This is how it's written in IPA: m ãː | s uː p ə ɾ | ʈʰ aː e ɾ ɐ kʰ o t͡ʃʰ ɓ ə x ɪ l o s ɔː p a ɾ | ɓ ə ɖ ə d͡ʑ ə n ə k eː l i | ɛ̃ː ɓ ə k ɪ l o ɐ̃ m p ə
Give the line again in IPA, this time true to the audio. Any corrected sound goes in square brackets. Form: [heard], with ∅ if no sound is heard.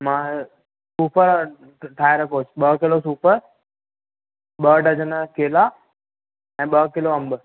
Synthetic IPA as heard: m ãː | s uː p ə ɾ | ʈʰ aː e ɾ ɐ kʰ o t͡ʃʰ ɓ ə [k] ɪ l o s [uː] p [ə] ɾ | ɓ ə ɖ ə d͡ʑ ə n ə k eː l [a] | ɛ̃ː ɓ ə k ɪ l o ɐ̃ m [b] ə